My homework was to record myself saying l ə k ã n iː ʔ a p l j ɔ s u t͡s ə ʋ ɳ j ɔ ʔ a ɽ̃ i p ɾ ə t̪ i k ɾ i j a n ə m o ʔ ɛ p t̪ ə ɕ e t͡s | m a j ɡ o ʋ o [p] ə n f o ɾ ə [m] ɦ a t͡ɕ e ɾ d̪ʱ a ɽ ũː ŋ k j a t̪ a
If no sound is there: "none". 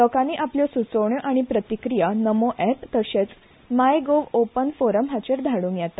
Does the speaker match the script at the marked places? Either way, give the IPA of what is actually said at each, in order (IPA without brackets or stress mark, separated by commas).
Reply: p, m